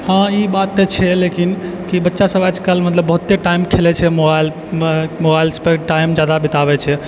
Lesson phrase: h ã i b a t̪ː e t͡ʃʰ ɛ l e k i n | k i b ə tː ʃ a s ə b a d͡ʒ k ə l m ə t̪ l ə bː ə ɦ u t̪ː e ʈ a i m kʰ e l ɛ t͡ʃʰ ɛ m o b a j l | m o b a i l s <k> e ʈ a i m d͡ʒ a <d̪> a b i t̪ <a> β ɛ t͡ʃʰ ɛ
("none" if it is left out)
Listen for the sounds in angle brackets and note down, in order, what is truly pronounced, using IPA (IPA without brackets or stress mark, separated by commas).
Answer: p, d̪, a